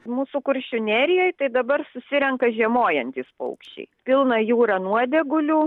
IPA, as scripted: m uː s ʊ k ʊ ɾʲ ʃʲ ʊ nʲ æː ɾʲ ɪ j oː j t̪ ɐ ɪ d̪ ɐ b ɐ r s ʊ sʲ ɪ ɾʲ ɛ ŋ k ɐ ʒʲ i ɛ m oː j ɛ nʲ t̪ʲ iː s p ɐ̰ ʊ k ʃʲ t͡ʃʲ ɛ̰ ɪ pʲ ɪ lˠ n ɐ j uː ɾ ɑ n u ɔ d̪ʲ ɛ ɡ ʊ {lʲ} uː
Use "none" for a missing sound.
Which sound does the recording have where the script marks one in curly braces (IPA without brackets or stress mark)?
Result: lʲ